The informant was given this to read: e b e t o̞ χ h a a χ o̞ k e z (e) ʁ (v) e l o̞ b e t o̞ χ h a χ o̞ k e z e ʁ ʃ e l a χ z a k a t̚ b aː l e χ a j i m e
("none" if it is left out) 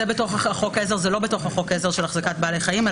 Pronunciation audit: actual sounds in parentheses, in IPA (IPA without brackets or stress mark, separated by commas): e, z